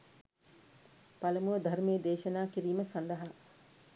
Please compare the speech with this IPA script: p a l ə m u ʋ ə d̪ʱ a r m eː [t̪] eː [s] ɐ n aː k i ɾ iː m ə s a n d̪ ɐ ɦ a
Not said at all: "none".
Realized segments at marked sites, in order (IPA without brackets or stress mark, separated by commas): d̪, ʃ